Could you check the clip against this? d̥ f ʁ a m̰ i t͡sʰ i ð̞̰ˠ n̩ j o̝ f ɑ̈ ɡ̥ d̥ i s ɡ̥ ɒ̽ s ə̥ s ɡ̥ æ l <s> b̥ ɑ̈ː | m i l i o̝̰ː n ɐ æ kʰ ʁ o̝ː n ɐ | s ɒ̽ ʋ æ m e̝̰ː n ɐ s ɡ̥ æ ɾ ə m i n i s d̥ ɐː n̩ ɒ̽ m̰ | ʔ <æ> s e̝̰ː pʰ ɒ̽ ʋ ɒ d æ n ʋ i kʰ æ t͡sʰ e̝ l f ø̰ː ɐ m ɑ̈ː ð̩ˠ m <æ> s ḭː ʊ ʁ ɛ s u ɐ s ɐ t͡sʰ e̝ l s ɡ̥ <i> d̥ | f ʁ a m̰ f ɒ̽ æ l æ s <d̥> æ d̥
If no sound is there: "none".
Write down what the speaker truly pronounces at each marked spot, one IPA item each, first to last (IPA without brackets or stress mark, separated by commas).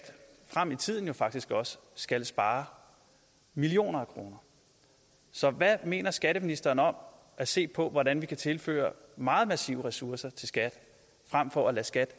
s, æ, æ, æ, ɡ̥